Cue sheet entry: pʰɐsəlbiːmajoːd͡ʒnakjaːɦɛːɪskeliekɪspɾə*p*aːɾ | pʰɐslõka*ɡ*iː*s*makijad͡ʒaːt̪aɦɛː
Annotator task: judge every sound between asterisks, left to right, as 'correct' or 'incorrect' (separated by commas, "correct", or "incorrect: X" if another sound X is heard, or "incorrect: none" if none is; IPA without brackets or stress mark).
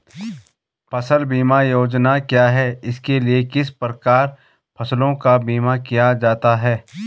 incorrect: k, incorrect: b, incorrect: none